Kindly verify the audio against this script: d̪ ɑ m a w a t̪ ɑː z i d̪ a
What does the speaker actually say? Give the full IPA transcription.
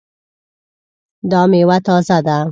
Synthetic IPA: d̪ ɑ m e w a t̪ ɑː z a d̪ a